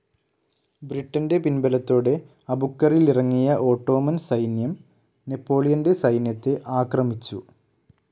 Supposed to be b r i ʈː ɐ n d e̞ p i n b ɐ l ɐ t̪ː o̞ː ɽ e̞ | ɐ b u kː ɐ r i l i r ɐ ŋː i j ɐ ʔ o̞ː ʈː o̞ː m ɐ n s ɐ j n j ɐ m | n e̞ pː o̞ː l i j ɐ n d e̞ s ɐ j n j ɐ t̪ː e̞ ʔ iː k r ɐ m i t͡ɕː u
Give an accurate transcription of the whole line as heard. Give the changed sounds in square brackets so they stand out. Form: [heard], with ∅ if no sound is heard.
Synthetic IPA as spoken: b r i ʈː ɐ n d e̞ p i n b ɐ l ɐ t̪ː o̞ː ɽ e̞ | ɐ b u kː ɐ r i l i r ɐ ŋː i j ɐ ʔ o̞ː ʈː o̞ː m ɐ n s ɐ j n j ɐ m | n e̞ pː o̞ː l i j ɐ n d e̞ s ɐ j n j ɐ t̪ː e̞ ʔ [aː] k r ɐ m i t͡ɕː u